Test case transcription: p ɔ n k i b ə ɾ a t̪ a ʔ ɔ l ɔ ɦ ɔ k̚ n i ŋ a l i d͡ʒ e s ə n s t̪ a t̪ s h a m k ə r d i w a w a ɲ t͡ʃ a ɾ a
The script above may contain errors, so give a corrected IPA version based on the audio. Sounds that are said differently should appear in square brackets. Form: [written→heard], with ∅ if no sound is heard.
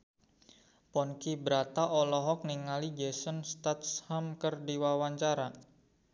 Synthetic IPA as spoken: p ɔ n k i b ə ɾ a t̪ a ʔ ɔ l ɔ ɦ ɔ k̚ n i ŋ a l i d͡ʒ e s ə n s t̪ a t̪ s h a m k ə r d i w a w a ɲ t͡ʃ a ɾ a